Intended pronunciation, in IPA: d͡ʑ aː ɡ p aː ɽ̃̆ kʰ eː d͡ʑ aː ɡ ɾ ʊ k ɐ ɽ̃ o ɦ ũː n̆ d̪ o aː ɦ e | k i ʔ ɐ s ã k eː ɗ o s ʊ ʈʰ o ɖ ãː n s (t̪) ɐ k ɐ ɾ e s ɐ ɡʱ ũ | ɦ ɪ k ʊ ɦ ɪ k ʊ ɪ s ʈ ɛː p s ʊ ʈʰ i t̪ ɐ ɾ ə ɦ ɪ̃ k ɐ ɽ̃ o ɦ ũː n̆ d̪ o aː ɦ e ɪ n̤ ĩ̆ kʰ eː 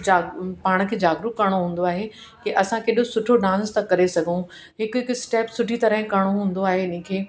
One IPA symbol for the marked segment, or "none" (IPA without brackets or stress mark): t̪